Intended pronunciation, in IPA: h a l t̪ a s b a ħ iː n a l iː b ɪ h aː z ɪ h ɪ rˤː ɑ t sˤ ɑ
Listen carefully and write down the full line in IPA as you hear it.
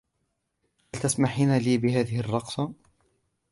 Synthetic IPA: h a l t̪ a s m a ħ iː n a l iː b ɪ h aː ð ɪ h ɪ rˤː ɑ q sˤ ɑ